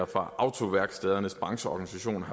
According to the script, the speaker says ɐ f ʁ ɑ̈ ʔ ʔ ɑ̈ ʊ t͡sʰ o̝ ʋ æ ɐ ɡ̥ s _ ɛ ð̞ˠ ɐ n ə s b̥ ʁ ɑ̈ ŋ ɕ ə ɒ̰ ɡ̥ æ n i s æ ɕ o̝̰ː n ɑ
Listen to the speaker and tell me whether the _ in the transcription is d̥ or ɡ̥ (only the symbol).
d̥